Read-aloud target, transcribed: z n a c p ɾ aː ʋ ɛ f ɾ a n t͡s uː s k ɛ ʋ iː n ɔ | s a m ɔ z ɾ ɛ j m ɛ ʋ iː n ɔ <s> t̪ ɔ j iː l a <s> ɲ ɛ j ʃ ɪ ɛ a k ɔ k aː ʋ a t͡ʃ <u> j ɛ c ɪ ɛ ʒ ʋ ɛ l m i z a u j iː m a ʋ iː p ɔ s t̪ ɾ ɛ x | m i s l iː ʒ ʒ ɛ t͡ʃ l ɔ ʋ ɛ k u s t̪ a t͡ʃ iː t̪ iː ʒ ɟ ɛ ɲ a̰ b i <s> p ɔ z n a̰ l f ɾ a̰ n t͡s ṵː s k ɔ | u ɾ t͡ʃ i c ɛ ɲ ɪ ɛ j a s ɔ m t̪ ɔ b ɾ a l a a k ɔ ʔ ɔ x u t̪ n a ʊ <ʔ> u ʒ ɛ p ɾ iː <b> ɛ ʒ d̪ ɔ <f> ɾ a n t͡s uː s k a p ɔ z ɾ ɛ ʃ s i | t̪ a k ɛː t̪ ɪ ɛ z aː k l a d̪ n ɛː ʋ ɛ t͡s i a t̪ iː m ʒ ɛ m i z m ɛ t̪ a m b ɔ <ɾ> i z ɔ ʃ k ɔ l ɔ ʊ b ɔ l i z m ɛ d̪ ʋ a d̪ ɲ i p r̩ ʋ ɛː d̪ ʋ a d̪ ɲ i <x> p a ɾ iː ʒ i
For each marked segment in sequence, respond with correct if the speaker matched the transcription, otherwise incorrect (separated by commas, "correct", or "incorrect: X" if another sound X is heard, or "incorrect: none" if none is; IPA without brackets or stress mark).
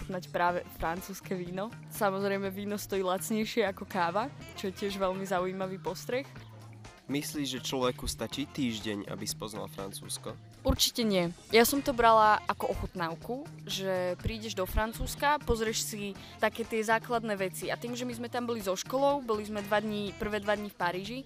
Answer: correct, incorrect: t͡s, incorrect: ɔ, correct, incorrect: k, incorrect: ɟ, correct, incorrect: l, incorrect: f